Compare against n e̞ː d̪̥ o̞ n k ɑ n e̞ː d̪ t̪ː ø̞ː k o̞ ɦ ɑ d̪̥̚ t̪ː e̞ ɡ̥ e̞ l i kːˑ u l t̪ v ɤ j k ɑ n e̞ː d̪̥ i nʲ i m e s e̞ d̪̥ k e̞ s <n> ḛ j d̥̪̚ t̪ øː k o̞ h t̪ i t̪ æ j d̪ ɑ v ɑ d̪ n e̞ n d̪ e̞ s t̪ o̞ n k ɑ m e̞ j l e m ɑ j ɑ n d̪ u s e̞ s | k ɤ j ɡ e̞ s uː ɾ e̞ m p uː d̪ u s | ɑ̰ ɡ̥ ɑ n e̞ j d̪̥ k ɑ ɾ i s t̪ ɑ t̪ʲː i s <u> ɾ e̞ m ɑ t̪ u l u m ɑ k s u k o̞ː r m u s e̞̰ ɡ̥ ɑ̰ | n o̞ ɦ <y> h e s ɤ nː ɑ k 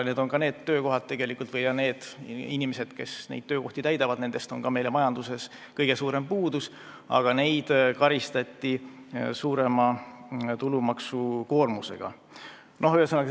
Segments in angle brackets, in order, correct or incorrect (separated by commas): correct, incorrect, correct